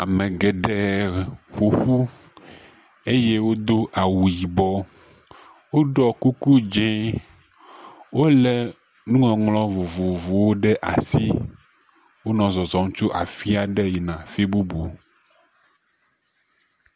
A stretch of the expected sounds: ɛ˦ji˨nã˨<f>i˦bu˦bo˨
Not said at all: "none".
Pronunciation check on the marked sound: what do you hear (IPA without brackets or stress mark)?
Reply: f